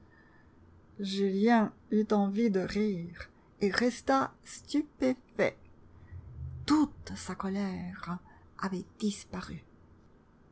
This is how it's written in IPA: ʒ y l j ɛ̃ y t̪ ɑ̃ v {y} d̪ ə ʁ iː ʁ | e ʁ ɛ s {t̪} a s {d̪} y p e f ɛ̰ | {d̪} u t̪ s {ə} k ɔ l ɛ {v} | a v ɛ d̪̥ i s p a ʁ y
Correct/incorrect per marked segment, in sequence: incorrect: i, correct, incorrect: t̪, incorrect: t̪, incorrect: a, incorrect: ʁ

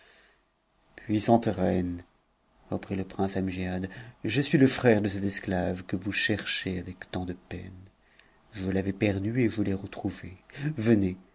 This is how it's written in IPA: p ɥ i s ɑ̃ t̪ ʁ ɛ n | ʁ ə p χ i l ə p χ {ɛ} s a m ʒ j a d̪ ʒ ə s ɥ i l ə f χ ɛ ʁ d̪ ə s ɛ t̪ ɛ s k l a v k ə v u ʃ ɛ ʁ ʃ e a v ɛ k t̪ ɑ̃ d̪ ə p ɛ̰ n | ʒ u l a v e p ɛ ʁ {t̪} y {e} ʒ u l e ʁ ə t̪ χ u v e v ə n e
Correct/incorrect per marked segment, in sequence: incorrect: ɛ̃, incorrect: d̪, correct

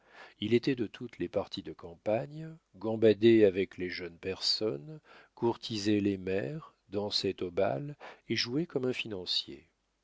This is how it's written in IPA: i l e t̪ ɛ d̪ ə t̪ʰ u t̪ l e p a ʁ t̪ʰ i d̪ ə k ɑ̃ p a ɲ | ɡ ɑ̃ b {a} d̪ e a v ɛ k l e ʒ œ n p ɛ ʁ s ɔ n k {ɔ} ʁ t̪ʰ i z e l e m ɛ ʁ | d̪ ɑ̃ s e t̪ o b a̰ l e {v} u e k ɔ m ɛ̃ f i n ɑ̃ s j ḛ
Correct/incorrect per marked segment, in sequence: correct, incorrect: u, incorrect: ʒ

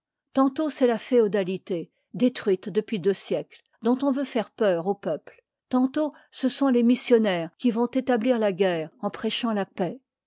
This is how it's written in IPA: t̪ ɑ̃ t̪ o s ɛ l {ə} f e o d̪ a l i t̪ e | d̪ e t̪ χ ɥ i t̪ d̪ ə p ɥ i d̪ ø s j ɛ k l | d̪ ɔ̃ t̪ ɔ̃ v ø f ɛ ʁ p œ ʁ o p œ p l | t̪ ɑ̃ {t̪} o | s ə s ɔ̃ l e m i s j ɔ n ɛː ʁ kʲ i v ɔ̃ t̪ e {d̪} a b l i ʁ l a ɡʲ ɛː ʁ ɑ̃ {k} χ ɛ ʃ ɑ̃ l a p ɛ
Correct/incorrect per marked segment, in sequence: incorrect: a, correct, incorrect: t̪, incorrect: p

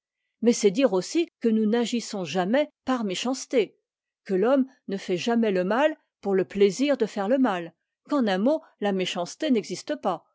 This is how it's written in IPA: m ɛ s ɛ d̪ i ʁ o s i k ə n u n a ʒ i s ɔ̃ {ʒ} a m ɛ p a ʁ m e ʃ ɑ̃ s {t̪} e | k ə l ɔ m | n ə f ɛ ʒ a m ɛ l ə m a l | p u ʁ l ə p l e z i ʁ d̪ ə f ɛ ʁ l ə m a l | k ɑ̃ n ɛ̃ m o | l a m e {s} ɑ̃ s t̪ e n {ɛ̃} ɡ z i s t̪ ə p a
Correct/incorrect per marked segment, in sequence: correct, correct, incorrect: ʃ, incorrect: ɛ

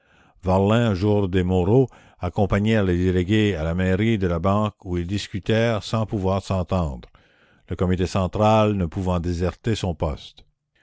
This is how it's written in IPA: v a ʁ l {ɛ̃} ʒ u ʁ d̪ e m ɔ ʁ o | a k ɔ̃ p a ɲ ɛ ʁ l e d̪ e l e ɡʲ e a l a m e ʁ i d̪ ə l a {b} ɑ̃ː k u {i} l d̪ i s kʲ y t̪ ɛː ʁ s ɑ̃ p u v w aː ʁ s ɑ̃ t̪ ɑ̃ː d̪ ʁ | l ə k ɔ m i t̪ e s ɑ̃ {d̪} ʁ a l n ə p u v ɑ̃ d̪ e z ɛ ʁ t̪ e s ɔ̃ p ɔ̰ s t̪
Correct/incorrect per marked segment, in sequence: correct, correct, correct, incorrect: t̪

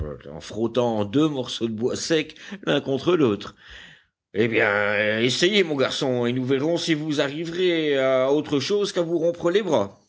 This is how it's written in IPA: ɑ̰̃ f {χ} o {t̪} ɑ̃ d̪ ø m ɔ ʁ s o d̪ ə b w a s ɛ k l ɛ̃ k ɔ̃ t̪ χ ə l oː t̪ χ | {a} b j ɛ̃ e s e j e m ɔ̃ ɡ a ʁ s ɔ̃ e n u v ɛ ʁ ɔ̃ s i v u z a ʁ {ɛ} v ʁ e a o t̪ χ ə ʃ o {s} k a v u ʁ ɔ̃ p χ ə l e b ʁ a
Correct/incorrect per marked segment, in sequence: correct, correct, incorrect: e, incorrect: i, incorrect: z

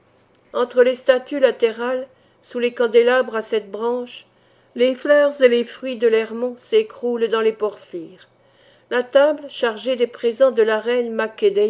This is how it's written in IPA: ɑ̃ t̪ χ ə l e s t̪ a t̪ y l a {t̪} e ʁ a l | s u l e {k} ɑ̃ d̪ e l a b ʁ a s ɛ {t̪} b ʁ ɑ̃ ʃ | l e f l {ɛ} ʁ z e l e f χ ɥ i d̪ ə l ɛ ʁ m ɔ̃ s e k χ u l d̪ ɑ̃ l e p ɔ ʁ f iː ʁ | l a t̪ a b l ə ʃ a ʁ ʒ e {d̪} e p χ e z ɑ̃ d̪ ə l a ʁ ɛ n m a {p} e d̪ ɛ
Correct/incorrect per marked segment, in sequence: correct, correct, correct, incorrect: œ, correct, incorrect: k

